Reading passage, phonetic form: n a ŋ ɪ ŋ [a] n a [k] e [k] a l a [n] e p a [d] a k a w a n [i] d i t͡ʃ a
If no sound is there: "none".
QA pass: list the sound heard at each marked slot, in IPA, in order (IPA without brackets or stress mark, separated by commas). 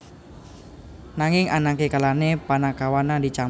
a, k, k, n, n, a